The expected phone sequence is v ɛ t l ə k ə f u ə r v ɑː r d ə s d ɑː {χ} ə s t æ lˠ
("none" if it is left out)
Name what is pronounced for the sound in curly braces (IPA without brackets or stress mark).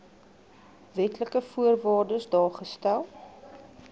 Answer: χ